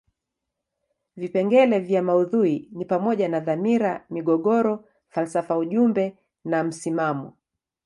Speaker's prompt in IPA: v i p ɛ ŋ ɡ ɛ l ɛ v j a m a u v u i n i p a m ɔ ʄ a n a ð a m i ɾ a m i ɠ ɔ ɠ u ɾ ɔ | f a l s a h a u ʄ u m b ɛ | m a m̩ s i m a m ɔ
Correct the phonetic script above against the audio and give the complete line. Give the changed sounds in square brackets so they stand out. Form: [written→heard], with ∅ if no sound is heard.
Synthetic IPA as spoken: v i p ɛ ŋ ɡ ɛ l ɛ v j a m a u [v→ð] u i n i p a m ɔ ʄ a n a ð a m i ɾ a m i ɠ ɔ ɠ [u→ɔ] ɾ ɔ | f a l s a [h→f] a u ʄ u m b ɛ | [m→n] a m̩ s i m a m ɔ